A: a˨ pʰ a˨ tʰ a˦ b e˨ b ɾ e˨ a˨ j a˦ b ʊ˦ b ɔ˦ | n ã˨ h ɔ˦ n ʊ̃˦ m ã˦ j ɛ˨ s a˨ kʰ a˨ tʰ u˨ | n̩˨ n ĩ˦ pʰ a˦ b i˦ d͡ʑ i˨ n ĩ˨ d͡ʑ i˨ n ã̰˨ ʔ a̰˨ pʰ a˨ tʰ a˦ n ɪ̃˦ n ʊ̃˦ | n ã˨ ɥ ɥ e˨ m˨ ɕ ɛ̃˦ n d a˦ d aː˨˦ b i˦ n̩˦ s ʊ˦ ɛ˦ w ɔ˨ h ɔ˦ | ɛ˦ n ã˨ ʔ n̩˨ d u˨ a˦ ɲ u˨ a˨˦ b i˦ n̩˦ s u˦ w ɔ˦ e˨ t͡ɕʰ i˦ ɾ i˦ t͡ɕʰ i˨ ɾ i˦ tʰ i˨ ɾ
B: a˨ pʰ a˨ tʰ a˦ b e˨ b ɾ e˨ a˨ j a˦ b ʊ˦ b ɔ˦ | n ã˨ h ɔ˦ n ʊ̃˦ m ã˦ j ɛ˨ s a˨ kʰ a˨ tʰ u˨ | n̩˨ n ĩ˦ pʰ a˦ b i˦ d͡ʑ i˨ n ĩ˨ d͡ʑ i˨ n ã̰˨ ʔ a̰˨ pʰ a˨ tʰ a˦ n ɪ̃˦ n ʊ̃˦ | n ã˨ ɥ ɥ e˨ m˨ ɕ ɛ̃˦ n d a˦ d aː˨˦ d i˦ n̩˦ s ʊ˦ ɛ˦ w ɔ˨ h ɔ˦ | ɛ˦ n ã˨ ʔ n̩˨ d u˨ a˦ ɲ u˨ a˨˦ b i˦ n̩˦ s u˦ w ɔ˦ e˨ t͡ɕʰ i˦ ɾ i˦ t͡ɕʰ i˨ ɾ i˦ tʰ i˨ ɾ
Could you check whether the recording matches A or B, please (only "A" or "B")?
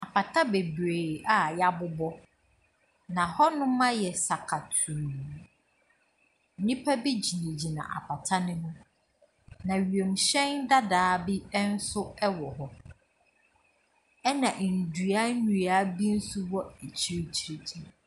A